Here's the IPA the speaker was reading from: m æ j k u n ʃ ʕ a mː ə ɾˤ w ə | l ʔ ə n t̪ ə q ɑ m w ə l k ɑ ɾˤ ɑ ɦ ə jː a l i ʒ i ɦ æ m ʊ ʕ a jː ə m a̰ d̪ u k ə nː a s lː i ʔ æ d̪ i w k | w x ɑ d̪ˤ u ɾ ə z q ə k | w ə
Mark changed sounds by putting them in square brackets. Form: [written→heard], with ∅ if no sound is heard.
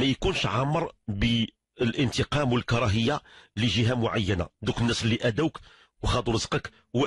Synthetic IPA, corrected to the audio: m æ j k u n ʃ ʕ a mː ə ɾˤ [w→b] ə | l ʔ ə n t̪ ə q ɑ m w ə l k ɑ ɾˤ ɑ ɦ ə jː a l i ʒ i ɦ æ m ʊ ʕ a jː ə [m→n] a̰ d̪ u k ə nː [a→æ] s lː i ʔ æ d̪ [i→æ] w k | w x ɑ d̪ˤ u ɾ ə z q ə k | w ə

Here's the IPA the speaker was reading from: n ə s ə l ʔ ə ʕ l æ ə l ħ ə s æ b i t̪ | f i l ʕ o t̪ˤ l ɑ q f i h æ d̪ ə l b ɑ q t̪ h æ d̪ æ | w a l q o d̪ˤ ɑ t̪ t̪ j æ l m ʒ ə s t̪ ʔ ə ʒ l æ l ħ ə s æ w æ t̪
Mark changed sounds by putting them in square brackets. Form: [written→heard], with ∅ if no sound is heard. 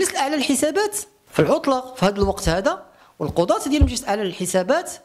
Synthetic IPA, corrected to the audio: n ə s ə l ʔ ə ʕ l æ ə l ħ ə s æ b [i→æ] t̪ | f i l ʕ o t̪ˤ l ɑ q f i h æ d̪ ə l [b→w] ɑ q t̪ h æ d̪ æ | w [a→ə] l q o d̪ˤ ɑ t̪ [t̪→d̪] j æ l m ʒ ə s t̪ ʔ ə [ʒ→ʕ] l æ l ħ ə s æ [w→b] æ t̪

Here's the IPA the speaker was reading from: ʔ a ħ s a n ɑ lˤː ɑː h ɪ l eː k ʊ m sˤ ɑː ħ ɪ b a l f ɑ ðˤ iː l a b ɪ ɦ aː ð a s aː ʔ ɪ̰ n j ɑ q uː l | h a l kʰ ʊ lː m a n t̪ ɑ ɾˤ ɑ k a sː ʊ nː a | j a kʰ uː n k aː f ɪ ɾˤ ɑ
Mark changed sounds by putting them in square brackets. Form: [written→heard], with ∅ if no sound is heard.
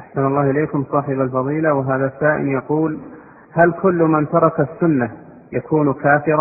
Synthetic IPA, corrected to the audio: ʔ a ħ s a n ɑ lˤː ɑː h ɪ l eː k ʊ m sˤ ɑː ħ ɪ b a l f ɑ ðˤ iː l a [b→w] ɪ ɦ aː ð a s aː ʔ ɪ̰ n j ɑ q uː l | h a l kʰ ʊ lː m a n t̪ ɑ ɾˤ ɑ k a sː ʊ nː a | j a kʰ uː n k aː f ɪ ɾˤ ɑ

